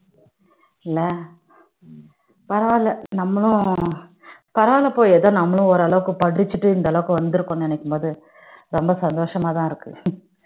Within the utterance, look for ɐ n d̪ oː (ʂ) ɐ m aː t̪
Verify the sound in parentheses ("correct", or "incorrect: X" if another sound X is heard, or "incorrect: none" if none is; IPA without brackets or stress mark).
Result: correct